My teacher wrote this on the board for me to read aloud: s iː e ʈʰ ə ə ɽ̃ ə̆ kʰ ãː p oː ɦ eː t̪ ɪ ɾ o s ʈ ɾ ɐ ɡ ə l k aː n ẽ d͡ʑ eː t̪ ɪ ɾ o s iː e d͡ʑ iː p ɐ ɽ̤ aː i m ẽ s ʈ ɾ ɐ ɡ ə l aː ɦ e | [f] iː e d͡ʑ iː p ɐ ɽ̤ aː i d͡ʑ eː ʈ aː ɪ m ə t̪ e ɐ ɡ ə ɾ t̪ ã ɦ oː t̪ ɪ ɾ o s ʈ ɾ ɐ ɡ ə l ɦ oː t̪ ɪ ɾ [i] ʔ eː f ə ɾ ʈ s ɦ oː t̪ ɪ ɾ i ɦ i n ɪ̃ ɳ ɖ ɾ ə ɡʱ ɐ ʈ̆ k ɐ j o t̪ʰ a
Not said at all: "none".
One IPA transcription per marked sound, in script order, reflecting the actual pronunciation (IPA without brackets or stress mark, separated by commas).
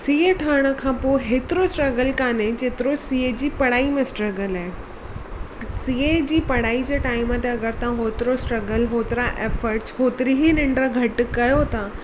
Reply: s, a